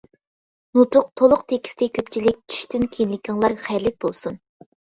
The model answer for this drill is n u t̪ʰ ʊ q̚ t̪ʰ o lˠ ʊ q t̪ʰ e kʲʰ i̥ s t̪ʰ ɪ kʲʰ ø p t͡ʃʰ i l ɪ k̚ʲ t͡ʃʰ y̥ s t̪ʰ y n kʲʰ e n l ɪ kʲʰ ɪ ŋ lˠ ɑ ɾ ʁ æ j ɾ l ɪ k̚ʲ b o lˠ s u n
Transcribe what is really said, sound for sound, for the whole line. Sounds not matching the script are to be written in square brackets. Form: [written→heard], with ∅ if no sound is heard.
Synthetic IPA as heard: n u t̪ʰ ʊ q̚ t̪ʰ o lˠ ʊ q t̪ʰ e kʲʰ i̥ s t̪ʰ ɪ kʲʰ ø p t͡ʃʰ i l ɪ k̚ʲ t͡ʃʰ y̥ [s→ʃ] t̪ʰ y n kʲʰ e n l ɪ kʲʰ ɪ ŋ lˠ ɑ ɾ [ʁ→χ] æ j ɾ l ɪ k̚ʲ b o lˠ s u n